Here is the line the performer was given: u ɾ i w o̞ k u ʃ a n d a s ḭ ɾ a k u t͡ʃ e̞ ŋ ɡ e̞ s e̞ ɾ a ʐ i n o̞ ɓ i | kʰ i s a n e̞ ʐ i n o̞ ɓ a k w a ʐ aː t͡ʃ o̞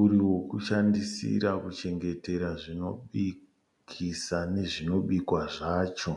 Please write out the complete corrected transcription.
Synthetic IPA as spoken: u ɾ i w o̞ k u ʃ a n d i s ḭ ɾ a k u t͡ʃ e̞ ŋ ɡ e̞ t e̞ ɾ a ʐ i n o̞ ɓ i | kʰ i s a n e̞ ʐ i n o̞ ɓ i k w a ʐ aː t͡ʃ o̞